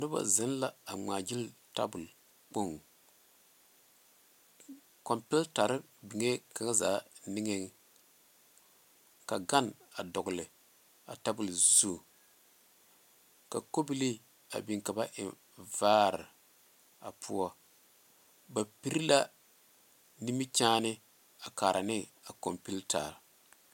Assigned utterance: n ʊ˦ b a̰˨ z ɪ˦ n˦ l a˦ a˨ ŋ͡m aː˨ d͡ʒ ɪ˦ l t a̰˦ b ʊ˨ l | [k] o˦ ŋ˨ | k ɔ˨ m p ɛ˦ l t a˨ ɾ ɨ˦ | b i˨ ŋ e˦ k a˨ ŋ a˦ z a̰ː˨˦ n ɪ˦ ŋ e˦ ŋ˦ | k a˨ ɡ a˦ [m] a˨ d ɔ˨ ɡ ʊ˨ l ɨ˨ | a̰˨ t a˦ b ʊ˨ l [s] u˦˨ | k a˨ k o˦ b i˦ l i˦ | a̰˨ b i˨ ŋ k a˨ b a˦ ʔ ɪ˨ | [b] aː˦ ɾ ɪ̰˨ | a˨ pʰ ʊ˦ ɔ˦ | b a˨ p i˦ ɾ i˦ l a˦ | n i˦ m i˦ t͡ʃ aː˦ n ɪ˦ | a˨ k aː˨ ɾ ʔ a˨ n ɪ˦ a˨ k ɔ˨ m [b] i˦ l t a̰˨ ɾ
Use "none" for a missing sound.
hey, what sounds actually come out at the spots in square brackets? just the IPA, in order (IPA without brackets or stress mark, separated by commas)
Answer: k͡p, n, z, v, p